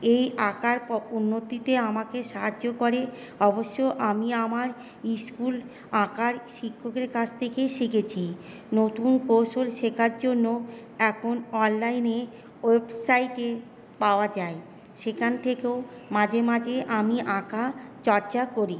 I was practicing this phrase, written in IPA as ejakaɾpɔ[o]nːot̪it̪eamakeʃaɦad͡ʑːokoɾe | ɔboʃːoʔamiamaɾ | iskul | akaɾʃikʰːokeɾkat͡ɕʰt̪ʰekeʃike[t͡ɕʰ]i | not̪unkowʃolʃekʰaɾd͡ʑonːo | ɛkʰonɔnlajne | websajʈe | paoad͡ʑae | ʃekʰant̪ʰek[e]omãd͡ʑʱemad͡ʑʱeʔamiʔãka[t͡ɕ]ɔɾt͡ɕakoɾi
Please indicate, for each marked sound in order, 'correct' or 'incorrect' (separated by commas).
incorrect, correct, correct, correct